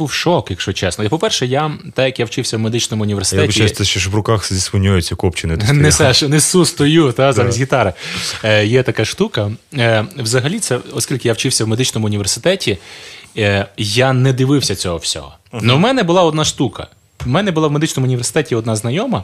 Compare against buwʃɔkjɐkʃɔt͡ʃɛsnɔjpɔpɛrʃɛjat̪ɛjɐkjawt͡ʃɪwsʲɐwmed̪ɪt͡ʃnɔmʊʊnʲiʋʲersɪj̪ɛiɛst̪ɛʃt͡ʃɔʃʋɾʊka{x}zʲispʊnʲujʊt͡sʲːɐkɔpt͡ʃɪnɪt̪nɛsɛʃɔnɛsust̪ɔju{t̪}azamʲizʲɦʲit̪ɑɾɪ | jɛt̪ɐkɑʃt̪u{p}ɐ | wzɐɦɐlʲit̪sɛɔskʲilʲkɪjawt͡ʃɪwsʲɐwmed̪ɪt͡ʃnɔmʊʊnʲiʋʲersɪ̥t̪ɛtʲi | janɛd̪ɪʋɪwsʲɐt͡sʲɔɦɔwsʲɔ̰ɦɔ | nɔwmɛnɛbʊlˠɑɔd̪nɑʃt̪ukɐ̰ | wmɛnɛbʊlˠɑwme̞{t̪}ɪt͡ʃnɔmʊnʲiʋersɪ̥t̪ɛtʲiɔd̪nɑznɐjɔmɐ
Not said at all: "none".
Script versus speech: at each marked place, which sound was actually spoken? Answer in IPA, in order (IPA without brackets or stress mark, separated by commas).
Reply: x, t̪, k, d̪